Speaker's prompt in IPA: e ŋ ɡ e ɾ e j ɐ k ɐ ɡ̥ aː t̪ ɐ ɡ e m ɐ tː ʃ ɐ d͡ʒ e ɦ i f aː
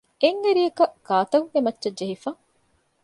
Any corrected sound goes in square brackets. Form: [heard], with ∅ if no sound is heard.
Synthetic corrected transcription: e ŋ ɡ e ɾ [i] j ɐ k ɐ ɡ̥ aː t̪ ɐ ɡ e m ɐ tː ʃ ɐ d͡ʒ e ɦ i f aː